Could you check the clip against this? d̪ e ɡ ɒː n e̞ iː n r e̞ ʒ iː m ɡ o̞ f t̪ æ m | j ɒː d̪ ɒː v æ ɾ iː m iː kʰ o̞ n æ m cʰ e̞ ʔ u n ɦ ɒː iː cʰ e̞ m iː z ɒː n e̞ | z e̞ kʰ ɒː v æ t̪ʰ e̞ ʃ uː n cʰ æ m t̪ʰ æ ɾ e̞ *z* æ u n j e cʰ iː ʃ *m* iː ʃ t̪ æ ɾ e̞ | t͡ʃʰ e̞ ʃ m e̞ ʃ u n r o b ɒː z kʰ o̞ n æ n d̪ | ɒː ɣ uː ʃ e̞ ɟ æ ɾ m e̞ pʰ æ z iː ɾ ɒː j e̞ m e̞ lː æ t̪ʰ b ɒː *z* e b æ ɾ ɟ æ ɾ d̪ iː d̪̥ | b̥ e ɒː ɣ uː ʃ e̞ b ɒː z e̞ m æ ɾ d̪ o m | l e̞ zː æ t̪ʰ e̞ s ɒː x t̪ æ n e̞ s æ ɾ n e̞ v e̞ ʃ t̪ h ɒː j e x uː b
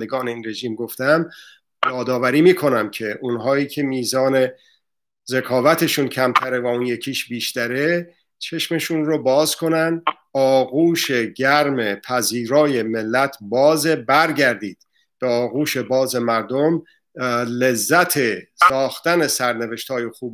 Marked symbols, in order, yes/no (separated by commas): no, no, yes